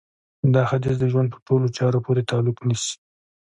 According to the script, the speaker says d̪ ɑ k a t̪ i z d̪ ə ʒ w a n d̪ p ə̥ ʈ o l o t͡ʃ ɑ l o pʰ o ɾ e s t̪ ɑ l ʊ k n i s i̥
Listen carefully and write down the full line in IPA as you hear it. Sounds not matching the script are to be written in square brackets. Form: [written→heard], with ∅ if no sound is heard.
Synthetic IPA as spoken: d̪ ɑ [k→x] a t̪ i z d̪ ə ʒ w a n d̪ p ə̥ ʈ o l o t͡ʃ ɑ [l→ɾ] o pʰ o ɾ e [s→∅] t̪ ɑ l ʊ k n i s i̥